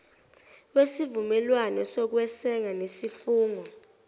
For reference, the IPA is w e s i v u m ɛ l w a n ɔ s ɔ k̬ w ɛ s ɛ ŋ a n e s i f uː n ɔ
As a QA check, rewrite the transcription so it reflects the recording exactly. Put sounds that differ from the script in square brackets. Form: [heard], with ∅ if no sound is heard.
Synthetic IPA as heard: w e s i v u m ɛ l w a n ɔ s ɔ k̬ w ɛ s ɛ ŋ a n e s i f uː [ŋ] ɔ